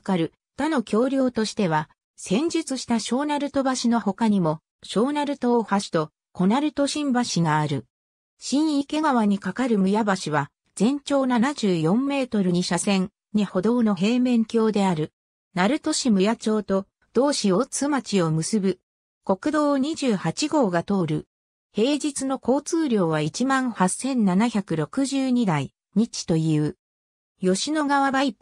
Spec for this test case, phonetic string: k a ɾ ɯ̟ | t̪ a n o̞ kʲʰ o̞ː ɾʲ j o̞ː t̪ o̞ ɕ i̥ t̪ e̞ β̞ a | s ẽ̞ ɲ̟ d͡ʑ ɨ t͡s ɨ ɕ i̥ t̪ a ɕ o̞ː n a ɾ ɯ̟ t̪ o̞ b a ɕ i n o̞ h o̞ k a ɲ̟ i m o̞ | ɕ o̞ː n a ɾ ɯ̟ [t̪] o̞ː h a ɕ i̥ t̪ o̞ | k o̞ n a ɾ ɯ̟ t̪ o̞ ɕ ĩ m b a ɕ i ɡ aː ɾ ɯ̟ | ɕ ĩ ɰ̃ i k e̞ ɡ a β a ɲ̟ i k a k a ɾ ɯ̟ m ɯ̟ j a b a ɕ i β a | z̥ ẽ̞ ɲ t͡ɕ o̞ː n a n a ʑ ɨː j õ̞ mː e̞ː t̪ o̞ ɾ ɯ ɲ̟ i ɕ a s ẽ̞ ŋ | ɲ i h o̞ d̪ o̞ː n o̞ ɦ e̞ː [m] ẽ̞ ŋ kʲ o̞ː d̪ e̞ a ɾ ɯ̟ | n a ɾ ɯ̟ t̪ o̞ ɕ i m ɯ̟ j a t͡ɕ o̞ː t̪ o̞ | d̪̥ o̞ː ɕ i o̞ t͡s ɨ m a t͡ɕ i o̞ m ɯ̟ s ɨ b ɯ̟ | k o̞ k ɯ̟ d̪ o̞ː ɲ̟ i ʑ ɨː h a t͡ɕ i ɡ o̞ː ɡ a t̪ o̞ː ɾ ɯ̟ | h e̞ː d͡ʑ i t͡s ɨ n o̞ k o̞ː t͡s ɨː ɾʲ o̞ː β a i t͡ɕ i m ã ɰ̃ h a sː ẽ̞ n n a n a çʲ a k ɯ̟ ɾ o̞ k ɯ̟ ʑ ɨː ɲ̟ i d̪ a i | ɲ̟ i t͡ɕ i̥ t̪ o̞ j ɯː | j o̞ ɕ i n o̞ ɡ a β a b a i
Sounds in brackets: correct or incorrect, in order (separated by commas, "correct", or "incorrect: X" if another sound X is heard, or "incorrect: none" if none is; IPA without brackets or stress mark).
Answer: correct, correct